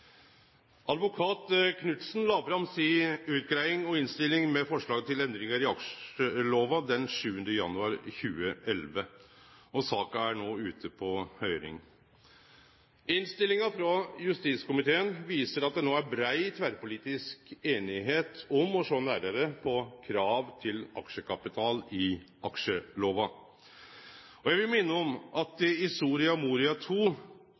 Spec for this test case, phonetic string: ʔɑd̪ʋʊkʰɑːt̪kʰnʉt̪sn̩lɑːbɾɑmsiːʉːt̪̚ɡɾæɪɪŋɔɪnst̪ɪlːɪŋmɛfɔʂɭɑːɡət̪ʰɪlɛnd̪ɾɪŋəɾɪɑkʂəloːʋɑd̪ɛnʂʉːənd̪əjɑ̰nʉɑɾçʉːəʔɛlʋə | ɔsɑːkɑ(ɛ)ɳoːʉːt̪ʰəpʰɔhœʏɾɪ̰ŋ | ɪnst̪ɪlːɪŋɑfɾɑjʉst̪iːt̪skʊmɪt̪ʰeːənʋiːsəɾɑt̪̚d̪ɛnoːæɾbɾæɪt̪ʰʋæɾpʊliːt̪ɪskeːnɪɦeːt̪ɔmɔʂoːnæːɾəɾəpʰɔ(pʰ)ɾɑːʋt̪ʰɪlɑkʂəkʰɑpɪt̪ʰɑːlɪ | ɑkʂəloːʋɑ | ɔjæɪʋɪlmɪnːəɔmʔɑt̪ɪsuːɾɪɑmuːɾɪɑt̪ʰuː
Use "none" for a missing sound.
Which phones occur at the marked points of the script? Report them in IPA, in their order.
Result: æ, kʰ

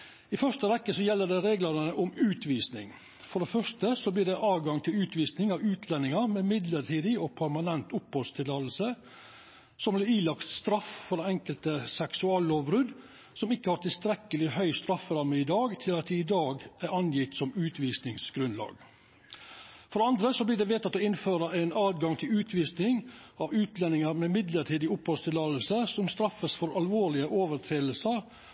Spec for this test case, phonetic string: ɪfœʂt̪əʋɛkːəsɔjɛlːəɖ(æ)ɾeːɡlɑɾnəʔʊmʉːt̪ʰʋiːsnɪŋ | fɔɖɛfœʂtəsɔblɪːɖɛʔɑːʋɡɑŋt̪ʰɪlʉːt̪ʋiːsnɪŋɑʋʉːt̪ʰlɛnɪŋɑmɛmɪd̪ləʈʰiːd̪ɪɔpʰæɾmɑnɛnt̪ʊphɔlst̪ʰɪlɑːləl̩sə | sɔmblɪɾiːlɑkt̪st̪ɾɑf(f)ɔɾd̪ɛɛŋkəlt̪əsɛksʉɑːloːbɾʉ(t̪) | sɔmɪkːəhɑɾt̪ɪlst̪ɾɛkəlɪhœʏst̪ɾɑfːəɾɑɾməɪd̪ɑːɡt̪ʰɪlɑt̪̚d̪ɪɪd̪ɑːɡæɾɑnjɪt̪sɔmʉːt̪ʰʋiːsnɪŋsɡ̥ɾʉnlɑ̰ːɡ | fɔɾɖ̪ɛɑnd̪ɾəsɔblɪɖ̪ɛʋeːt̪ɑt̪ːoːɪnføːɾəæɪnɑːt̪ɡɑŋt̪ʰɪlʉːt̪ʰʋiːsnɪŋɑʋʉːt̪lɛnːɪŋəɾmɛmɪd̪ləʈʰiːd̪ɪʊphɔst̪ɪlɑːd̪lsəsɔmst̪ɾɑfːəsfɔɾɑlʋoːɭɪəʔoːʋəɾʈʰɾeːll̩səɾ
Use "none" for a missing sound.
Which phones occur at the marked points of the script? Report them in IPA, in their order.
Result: ɛ, f, d̪

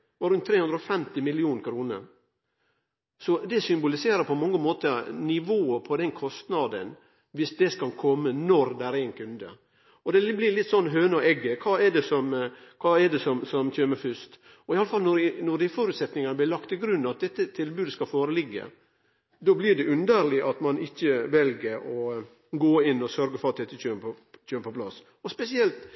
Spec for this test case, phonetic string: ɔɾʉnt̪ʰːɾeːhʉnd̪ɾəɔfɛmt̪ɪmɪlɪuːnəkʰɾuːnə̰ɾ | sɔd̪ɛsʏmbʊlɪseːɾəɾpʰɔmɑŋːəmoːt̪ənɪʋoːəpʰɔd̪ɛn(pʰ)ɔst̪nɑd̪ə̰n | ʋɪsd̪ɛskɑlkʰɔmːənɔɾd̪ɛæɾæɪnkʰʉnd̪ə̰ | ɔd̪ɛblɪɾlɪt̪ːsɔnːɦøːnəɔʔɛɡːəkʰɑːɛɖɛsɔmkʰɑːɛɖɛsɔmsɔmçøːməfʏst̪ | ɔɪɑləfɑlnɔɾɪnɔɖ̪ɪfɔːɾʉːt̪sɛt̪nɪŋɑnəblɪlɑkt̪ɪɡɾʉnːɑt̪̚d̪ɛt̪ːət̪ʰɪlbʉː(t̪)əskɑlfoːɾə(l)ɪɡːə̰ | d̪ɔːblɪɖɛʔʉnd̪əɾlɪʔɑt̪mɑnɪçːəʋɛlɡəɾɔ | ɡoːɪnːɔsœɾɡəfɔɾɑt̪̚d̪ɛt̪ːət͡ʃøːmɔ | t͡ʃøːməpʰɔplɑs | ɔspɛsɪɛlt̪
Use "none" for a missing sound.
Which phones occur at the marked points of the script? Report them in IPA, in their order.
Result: kʰ, d̪, l

